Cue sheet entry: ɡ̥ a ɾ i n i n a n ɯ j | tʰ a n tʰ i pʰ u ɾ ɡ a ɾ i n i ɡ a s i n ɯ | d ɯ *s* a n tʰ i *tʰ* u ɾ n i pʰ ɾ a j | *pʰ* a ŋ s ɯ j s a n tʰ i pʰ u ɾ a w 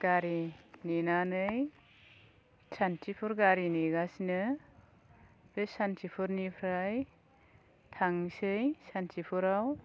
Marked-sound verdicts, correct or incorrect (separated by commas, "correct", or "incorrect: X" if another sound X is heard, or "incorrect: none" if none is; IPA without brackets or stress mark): correct, incorrect: pʰ, incorrect: tʰ